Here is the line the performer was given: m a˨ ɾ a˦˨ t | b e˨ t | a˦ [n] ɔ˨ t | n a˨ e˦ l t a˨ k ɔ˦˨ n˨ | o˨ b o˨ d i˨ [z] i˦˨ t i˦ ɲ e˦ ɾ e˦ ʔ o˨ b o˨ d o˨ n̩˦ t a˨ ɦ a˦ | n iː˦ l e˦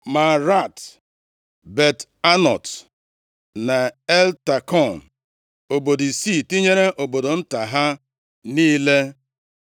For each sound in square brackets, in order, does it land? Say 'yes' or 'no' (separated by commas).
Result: yes, no